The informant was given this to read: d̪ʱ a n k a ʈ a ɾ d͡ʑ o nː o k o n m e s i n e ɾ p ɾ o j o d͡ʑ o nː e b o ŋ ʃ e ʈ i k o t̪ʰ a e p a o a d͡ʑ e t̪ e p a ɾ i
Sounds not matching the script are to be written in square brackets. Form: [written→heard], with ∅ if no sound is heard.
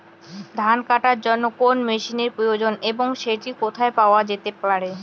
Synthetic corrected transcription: d̪ʱ a n k a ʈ a ɾ d͡ʑ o nː o k o n m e [s→ʃ] i n e ɾ p ɾ o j o d͡ʑ o [nː→n] e b o ŋ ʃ e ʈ i k o t̪ʰ a e p a o a d͡ʑ e t̪ e p a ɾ [i→e]

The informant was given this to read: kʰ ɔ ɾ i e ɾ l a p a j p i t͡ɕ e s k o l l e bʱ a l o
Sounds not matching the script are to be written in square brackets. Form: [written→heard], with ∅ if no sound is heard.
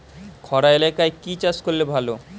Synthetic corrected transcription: kʰ ɔ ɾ [i→a] e [ɾ→∅] l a [p→k] a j [p→k] i t͡ɕ [e→a] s k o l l e bʱ a l o

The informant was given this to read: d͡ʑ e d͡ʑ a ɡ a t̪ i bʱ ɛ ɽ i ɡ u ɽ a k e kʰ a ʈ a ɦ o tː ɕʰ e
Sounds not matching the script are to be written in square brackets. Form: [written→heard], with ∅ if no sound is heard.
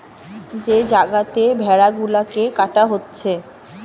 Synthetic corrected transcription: d͡ʑ e d͡ʑ a ɡ a t̪ [i→e] bʱ ɛ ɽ [i→a] ɡ u [ɽ→l] a k e [kʰ→k] a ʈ a ɦ o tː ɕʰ e

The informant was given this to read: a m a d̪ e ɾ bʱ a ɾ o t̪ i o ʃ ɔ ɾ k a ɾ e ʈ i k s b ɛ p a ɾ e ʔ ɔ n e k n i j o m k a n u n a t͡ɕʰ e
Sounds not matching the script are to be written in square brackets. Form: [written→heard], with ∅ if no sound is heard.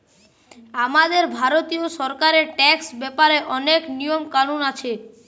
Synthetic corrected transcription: a m a d̪ e ɾ bʱ a ɾ o t̪ i o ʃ ɔ ɾ k a ɾ e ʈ [i→ɛ] k s b ɛ p a ɾ e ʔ ɔ n e k n i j o m k a n u n a t͡ɕʰ e

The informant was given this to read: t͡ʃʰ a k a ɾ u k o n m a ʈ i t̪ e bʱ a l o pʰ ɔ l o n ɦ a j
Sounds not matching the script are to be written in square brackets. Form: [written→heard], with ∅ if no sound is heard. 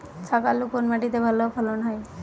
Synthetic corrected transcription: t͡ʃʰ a k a [ɾ→l] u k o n m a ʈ i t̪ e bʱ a l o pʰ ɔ l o n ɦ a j

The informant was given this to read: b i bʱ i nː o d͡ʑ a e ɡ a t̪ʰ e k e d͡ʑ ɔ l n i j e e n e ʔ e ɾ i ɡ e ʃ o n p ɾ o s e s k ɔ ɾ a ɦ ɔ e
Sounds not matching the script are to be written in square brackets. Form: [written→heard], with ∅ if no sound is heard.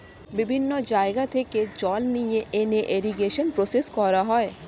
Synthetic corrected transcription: b i bʱ i nː o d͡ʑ a e ɡ a t̪ʰ e k e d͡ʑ ɔ l n i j e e n e ʔ e ɾ i ɡ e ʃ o n p ɾ o s e s k ɔ ɾ a ɦ ɔ e

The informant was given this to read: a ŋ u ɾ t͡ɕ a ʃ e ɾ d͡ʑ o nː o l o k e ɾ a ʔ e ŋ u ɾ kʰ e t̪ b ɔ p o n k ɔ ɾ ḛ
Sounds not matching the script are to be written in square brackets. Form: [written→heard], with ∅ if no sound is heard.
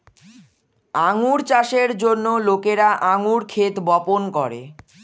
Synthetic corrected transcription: a ŋ u ɾ t͡ɕ a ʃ e ɾ d͡ʑ o nː o l o k e ɾ a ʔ [e→a] ŋ u ɾ kʰ e t̪ b ɔ p o n k ɔ ɾ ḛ

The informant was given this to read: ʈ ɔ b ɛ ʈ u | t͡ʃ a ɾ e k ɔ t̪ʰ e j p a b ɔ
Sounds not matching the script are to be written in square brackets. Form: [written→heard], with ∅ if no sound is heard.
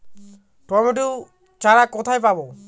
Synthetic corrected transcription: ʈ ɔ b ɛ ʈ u | t͡ʃ a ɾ [e→a] k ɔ t̪ʰ [e→a] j p a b ɔ

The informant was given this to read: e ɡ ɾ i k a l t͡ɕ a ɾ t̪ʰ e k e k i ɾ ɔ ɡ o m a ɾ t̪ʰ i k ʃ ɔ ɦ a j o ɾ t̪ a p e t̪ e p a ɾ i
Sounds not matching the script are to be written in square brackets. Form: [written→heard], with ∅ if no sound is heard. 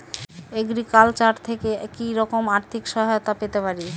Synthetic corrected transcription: e ɡ ɾ i k a l t͡ɕ a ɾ t̪ʰ e k e k i ɾ ɔ [ɡ→k] o m a ɾ t̪ʰ i k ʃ ɔ ɦ a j o [ɾ→∅] t̪ a p e t̪ e p a ɾ i

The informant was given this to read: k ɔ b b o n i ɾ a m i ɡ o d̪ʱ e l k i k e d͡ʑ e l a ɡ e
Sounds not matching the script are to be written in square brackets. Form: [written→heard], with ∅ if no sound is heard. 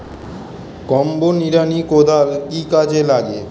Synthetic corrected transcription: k ɔ [b→m] b o n i ɾ a [m→n] i [ɡ→k] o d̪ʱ [e→a] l k i k [e→a] d͡ʑ e l a ɡ e

